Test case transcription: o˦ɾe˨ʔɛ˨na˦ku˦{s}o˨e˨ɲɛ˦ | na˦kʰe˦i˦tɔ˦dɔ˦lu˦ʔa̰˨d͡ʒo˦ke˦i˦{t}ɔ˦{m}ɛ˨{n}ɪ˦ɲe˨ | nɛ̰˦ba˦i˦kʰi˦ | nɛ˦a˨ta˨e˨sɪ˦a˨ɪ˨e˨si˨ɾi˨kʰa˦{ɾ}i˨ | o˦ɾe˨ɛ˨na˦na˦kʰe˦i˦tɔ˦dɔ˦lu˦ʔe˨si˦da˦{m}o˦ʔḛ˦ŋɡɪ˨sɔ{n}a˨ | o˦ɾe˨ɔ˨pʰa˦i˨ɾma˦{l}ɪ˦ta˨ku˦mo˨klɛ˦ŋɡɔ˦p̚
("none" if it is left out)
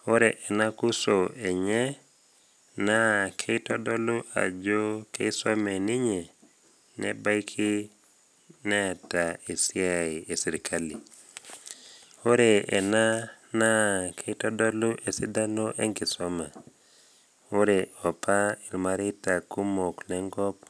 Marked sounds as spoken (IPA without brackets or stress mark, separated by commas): s, s, m, n, l, n, m, ɾ